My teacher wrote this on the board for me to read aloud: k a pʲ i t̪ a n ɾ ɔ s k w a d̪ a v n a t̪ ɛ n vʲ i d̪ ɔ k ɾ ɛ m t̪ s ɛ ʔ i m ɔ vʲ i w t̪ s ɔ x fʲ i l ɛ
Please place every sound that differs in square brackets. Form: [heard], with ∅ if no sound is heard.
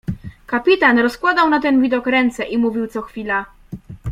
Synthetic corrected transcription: k a pʲ i t̪ a n ɾ ɔ s k w a d̪ a [w] n a t̪ ɛ n vʲ i d̪ ɔ k ɾ ɛ [n] t̪ s ɛ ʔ i m [u] vʲ i w t̪ s ɔ x fʲ i l [a]

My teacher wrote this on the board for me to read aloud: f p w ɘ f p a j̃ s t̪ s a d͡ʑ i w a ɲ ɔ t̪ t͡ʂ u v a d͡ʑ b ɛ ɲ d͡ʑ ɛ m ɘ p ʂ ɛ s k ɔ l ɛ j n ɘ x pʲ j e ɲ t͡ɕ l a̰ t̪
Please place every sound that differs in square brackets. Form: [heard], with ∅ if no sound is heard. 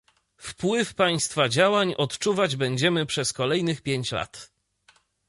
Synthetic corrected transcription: f p w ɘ f p a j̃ s t̪ [f] a d͡ʑ [a] w a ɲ ɔ t̪ t͡ʂ u v a d͡ʑ b ɛ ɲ d͡ʑ ɛ m ɘ p ʂ ɛ s k ɔ l ɛ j n ɘ x pʲ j e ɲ t͡ɕ l a̰ t̪

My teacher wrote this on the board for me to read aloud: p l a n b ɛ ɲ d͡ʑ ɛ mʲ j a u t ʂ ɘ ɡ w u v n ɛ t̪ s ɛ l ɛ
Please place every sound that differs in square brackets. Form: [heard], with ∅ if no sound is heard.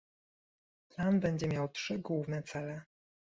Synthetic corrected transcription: p l a n b ɛ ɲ d͡ʑ ɛ mʲ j a [w] t ʂ ɘ ɡ w u v n ɛ t̪ s ɛ l ɛ

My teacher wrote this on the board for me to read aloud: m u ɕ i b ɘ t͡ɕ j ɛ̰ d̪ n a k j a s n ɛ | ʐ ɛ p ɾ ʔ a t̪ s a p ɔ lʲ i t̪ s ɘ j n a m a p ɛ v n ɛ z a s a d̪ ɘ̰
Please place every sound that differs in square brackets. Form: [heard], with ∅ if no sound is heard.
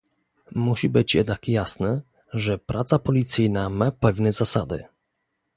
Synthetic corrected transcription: m u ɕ i b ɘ t͡ɕ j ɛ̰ d̪ n a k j a s n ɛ | ʐ ɛ p ɾ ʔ a t̪ s a p ɔ lʲ i t̪ s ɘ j n a m a p ɛ v n ɛ z a s a d̪ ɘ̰

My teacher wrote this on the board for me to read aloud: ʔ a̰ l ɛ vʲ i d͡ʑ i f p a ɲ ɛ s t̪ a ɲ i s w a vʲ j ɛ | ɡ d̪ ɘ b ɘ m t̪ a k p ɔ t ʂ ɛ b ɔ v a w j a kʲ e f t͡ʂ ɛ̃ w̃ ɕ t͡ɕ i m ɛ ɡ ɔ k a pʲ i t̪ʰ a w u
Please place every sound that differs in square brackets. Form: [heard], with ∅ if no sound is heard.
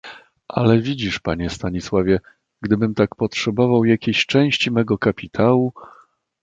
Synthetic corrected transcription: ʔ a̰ l ɛ vʲ i d͡ʑ i [ʂ] p a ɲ ɛ s t̪ a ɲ i s w a vʲ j ɛ | ɡ d̪ ɘ b ɘ m t̪ a k p ɔ t ʂ ɛ b ɔ v a w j a kʲ e [ɕ] t͡ʂ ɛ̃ w̃ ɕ t͡ɕ i m ɛ ɡ ɔ k a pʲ i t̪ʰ a w u

